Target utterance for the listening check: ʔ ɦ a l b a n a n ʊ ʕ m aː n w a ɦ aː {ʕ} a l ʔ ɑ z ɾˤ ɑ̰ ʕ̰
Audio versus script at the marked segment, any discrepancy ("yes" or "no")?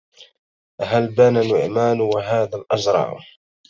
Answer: yes